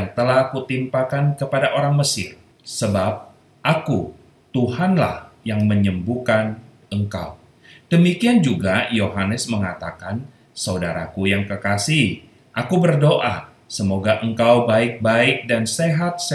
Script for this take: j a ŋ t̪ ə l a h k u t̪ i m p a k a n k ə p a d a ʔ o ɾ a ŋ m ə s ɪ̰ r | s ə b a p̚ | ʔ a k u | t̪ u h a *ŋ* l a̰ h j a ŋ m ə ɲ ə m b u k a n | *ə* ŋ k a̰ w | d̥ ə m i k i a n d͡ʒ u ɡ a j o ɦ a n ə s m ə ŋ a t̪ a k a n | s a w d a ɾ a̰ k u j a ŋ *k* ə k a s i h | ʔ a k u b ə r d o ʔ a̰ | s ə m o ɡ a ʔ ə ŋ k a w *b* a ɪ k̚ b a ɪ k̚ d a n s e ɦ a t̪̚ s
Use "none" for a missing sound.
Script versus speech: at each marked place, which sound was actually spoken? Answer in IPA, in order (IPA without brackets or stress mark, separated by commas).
n, ə, k, b